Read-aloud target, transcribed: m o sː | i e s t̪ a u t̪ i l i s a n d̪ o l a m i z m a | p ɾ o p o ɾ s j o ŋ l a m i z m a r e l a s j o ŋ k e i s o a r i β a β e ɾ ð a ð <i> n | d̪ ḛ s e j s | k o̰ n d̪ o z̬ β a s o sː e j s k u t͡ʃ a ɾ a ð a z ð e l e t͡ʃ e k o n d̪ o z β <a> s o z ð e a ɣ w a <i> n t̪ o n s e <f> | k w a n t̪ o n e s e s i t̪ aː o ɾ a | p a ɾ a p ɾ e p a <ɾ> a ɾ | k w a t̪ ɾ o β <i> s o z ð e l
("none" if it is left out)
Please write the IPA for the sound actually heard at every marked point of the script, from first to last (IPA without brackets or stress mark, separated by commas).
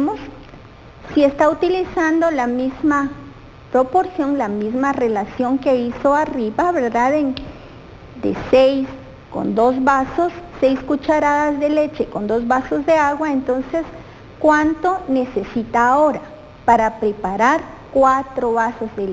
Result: e, a, e, s, ɾ, a